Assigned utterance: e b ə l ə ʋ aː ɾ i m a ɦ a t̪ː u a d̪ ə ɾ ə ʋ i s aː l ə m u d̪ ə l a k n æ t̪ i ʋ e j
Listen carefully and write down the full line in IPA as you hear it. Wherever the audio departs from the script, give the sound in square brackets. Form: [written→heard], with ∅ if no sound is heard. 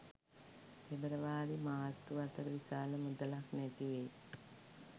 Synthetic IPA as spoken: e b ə [l→ɾ] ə ʋ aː ɾ i m a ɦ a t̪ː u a [d̪→t̪] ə ɾ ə ʋ i s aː l ə m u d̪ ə l a k n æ t̪ i ʋ e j